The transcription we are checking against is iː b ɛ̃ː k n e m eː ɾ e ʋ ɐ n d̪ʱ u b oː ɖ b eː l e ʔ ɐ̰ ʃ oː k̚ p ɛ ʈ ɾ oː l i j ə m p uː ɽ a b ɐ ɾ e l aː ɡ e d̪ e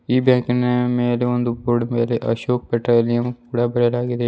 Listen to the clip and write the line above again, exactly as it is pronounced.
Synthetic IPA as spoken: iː b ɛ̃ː k n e m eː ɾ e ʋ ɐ n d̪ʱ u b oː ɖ m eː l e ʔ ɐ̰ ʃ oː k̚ p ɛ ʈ ɾ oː l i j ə m p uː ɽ a b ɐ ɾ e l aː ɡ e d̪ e

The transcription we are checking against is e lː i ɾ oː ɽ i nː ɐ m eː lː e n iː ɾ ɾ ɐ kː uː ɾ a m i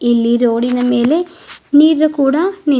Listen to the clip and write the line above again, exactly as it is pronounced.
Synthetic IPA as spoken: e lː i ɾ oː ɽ i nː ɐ m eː l e n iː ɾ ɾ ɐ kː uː ɽ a n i

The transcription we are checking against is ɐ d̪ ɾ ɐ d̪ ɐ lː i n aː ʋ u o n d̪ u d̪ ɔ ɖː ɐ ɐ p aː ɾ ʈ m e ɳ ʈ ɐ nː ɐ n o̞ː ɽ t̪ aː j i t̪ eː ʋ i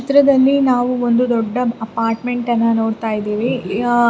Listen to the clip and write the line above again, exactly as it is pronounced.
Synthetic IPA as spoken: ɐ t̪ ɾ ɐ d̪ ɐ lː i n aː ʋ u o n d̪ u d̪ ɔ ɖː ɐ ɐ p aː ɾ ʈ m e ɳ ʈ ɐ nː ɐ n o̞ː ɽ t̪ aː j i d̪ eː ʋ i

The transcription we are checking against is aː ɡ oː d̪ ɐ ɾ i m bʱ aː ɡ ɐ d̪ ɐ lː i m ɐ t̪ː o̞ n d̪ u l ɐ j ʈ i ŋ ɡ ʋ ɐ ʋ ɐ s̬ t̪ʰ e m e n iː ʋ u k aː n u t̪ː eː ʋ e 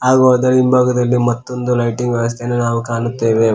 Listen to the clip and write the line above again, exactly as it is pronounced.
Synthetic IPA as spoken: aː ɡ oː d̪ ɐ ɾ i m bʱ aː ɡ ɐ d̪ ɐ lː i m ɐ t̪ː o̞ n d̪ u l ɐ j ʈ i ŋ ɡ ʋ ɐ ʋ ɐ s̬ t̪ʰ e n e n aː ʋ u k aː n u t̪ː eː ʋ e

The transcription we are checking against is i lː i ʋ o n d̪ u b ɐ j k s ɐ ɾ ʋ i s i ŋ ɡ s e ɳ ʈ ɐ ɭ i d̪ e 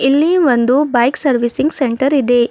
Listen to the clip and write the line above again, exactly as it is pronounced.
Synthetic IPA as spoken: i lː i ʋ o n d̪ u b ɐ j k s ɐ ɾ ʋ i s i ŋ ɡ s e ɳ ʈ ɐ ɾ i d̪ e

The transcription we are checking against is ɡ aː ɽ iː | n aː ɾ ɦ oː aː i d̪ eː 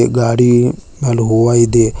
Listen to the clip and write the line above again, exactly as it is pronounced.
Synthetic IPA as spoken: ɡ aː ɽ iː | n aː l ɦ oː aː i d̪ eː

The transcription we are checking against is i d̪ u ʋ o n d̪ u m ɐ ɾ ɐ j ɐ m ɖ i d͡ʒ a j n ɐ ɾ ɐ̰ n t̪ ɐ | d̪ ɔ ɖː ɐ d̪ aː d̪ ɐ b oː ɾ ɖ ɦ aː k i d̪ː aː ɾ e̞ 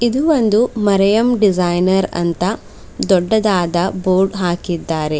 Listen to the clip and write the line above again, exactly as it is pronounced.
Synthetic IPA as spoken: i d̪ u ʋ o n d̪ u m ɐ ɾ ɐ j ɐ m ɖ i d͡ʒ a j n ɐ ɾ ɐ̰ n t̪ ɐ | d̪ ɔ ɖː ɐ d̪ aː d̪ ɐ b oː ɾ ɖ ɦ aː k i d̪ː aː ɾ e̞

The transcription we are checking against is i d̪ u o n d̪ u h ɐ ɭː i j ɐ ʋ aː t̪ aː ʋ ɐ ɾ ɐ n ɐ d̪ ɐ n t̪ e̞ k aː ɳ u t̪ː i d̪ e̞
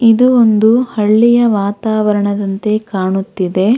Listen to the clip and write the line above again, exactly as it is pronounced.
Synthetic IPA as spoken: i d̪ u o n d̪ u h ɐ ɭː i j ɐ ʋ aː t̪ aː ʋ ɐ ɾ ɐ ɳ ɐ d̪ ɐ n t̪ e̞ k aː ɳ u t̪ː i d̪ e̞

